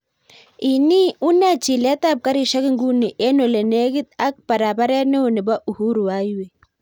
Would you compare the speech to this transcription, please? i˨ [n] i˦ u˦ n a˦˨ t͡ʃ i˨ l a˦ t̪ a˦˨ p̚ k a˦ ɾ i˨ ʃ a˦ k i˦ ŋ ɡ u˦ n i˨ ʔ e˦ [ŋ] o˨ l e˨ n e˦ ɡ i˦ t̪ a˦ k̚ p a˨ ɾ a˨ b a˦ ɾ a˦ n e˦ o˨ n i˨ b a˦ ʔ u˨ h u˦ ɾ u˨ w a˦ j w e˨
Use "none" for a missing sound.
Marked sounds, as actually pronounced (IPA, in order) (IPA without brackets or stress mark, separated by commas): n, n